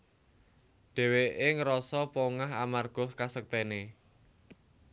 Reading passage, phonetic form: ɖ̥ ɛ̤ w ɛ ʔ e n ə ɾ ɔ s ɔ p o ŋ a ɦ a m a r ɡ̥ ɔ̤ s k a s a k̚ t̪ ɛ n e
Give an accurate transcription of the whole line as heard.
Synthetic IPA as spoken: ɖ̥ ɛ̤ w e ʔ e ŋ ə ɾ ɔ s ɔ p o ŋ a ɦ a m a r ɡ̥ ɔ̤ s k a s ə k̚ t̪ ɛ n e